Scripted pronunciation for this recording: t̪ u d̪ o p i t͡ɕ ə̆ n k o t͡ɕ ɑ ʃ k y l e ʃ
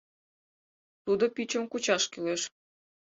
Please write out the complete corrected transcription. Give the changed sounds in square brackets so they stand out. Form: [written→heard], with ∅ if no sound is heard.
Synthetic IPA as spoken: t̪ u d̪ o p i t͡ɕ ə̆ [n→m] k [o→u] t͡ɕ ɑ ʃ k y l e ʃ